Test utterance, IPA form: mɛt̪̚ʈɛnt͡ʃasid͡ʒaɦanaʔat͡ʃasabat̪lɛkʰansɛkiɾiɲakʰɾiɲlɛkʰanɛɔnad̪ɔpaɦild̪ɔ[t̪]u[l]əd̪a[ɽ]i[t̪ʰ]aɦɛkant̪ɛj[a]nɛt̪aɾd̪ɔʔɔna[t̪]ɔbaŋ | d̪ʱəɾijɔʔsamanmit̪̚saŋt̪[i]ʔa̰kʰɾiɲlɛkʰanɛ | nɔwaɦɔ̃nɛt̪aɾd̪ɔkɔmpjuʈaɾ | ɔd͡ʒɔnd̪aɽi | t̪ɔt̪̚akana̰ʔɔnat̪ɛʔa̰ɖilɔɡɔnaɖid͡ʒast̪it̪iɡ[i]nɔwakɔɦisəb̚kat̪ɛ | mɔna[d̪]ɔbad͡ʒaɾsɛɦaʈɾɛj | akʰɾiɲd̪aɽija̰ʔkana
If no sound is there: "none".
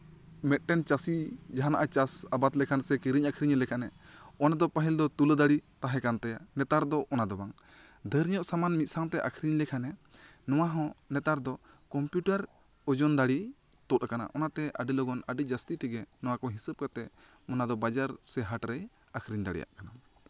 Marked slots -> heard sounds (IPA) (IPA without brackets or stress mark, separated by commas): t̪, l, ɽ, t̪, a, d̪, ɛ, ɛ, d̪